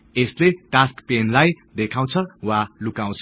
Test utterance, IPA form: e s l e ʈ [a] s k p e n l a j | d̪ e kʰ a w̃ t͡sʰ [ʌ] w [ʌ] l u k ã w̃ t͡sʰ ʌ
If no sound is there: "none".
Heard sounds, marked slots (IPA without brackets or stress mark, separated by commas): a, ʌ, a